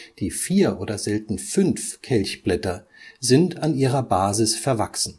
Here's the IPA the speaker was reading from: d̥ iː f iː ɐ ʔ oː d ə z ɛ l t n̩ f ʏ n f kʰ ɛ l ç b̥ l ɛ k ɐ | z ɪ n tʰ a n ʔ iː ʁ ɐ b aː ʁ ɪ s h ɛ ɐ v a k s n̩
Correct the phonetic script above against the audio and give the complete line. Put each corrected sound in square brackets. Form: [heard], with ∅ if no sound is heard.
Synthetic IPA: d̥ iː f iː ɐ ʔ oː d [ɐ] z ɛ l t n̩ f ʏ n f kʰ ɛ l ç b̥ l ɛ [t] ɐ | z ɪ n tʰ a n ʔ iː ʁ ɐ b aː [z] ɪ s [f] ɛ ɐ v a k s n̩